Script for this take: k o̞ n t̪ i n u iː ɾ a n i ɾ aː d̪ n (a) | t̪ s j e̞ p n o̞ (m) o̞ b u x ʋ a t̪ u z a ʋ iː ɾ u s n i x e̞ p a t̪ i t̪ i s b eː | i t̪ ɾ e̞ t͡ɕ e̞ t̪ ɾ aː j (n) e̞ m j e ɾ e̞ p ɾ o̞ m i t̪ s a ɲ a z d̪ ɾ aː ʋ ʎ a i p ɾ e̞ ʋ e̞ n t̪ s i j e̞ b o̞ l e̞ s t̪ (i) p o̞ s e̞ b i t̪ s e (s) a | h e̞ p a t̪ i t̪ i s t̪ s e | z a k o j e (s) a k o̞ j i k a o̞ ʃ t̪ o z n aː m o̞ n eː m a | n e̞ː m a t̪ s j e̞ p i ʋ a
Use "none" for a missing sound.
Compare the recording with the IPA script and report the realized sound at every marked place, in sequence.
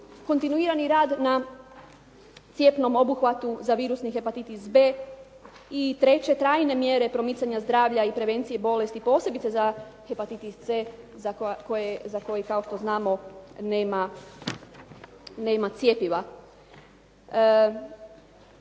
a, m, n, i, z, z

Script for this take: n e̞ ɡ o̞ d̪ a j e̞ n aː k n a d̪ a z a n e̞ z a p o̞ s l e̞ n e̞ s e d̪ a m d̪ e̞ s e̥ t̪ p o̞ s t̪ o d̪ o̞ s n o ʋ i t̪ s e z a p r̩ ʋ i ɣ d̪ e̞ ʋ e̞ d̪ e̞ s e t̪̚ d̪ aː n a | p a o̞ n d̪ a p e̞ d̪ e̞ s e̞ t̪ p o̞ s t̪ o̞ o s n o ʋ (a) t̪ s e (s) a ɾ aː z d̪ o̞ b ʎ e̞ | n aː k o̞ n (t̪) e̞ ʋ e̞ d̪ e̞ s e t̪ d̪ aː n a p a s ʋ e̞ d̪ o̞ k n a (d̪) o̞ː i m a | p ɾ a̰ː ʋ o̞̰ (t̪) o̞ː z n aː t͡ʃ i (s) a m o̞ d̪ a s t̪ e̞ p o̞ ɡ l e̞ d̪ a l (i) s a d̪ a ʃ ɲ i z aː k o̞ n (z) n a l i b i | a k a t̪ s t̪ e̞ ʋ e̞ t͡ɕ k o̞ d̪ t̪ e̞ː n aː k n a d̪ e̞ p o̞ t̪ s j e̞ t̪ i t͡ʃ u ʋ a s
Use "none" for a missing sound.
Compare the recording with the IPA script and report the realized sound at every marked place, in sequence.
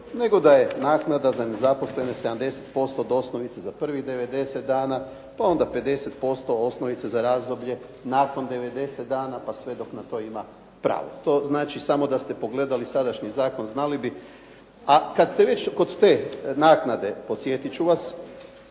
i, z, d̪, t̪, t̪, s, i, z

